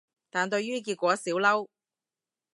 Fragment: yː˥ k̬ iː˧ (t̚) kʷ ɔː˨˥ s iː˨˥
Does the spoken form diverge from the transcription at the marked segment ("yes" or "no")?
no